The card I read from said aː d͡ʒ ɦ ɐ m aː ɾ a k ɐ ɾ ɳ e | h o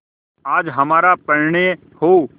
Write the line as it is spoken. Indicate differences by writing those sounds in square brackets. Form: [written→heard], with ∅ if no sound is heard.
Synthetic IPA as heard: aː d͡ʒ ɦ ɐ m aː ɾ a [k→p] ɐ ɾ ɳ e | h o